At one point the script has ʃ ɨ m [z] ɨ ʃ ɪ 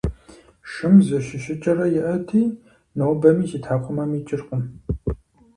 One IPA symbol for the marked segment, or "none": z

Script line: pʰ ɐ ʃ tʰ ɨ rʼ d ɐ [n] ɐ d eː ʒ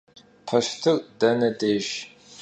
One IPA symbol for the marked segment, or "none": n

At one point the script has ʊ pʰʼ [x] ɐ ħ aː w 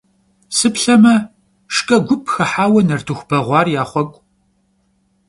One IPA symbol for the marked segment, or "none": x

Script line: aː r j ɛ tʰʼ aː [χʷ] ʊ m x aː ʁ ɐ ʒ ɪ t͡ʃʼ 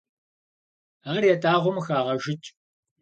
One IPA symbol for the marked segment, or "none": ʁʷ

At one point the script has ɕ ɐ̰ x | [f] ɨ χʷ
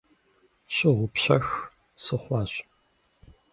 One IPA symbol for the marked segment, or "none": s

